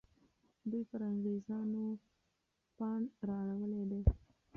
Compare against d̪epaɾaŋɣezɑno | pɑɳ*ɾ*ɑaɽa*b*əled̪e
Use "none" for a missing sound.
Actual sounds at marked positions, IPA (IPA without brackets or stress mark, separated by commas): ɾ, w